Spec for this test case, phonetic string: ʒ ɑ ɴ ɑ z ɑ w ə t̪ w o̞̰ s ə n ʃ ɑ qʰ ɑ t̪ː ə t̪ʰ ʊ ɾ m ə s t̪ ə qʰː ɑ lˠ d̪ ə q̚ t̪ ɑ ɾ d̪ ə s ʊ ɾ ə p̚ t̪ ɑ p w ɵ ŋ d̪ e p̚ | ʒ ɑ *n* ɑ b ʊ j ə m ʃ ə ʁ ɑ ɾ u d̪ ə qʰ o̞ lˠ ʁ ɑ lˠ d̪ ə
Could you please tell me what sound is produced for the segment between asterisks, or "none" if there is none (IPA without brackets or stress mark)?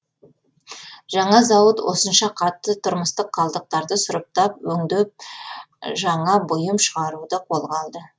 ɴ